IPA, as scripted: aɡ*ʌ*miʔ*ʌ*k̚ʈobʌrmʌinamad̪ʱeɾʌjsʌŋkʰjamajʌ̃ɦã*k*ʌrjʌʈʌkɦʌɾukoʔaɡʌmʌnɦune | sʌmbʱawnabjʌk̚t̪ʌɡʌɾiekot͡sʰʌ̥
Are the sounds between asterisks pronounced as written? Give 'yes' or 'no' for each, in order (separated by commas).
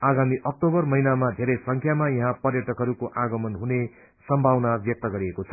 no, yes, no